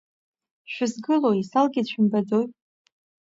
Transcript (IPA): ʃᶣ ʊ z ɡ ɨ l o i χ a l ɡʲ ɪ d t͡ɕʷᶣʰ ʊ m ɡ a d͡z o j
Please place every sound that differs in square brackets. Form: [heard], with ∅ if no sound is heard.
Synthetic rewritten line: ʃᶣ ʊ z ɡ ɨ l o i [s] a l ɡʲ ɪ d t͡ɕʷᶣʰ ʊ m [b] a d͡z o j